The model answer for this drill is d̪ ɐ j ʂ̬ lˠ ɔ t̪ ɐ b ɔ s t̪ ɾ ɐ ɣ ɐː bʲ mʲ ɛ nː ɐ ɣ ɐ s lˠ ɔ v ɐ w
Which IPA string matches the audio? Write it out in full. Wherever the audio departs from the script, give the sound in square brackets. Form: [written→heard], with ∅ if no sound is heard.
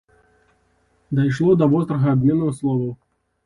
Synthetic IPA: d̪ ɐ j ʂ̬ lˠ ɔ [t̪→d̪] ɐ [b→v] ɔ s t̪ ɾ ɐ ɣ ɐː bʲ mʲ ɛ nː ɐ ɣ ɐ s lˠ ɔ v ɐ w